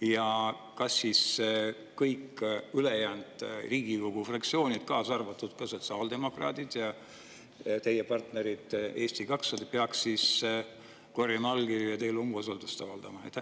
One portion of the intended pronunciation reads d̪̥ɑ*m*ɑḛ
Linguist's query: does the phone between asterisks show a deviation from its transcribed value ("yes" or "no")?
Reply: no